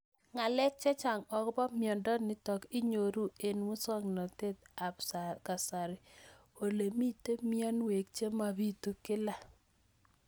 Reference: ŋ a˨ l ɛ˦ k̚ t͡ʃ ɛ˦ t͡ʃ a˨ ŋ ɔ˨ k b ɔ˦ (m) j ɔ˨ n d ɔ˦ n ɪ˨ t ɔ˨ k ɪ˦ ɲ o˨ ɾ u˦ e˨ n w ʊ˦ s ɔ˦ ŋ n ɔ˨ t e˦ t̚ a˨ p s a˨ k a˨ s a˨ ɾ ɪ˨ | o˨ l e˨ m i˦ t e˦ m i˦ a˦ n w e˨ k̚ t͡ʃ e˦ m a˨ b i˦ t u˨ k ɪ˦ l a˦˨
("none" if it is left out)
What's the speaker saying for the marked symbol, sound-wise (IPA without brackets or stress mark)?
m